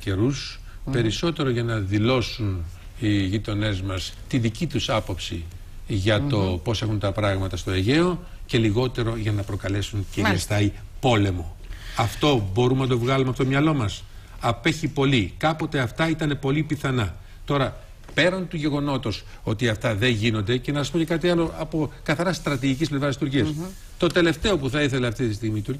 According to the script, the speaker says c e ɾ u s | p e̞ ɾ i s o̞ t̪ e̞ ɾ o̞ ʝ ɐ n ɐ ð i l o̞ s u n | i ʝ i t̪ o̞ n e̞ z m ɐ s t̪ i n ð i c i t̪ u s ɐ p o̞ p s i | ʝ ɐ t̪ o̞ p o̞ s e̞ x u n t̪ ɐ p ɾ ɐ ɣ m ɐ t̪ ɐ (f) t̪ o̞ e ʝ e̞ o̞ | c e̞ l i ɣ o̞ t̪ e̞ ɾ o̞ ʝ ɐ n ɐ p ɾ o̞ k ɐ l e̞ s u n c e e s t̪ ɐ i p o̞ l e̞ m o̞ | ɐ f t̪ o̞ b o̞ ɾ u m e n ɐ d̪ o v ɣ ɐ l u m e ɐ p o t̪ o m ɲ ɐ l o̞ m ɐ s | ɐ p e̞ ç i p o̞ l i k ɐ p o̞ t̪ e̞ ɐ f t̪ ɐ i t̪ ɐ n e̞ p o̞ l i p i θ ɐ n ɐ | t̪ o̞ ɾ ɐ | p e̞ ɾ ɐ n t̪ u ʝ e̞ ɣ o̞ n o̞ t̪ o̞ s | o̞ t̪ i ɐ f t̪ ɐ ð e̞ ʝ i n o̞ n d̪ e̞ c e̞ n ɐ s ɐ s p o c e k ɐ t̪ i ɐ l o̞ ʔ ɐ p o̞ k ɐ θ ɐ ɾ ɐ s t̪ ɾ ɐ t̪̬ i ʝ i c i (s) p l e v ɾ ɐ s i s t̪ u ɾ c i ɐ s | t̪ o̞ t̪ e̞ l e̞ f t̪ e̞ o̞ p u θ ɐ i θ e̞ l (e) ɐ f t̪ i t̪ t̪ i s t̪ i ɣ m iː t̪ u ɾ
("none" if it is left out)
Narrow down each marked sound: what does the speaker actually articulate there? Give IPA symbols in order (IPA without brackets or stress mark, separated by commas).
s, s, e